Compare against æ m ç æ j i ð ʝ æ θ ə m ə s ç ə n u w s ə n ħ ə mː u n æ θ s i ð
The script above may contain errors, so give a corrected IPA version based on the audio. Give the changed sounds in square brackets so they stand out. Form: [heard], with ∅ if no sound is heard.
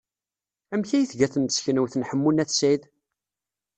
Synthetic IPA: æ m ç æ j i [θ] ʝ æ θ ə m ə s ç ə n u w [θ] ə n ħ ə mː u n æ θ s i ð